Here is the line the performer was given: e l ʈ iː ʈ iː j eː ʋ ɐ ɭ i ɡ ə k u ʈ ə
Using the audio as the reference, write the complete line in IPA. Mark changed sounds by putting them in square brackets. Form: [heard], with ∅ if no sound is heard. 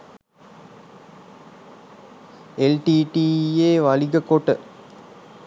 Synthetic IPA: e l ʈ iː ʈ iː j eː ʋ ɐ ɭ i ɡ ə k [o] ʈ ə

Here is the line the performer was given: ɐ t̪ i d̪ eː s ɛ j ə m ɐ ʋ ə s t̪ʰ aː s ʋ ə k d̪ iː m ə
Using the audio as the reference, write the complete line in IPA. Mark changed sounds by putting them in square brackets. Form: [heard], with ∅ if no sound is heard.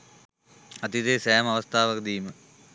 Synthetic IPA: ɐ t̪ i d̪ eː s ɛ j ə m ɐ ʋ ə s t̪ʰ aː [∅] ʋ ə k d̪ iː m ə

